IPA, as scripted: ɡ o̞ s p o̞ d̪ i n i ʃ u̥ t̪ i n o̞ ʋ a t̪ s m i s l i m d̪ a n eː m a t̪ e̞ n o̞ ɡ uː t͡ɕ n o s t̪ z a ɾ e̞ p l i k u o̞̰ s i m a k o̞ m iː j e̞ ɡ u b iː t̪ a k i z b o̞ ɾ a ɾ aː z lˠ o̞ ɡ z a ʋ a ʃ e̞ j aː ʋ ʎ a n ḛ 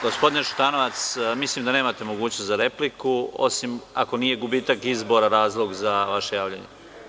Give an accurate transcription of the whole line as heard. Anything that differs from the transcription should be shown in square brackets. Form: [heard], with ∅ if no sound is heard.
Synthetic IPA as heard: ɡ o̞ s p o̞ d̪ i n [e] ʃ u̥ t̪ [a] n o̞ ʋ a t̪ s m i s l i m d̪ a n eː m a t̪ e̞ [m] o̞ ɡ uː t͡ɕ n o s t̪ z a ɾ e̞ p l i k u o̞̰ s i m a k o̞ [n] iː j e̞ ɡ u b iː t̪ a k i z b o̞ ɾ a ɾ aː z lˠ o̞ ɡ z a ʋ a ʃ e̞ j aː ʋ ʎ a [ɲ] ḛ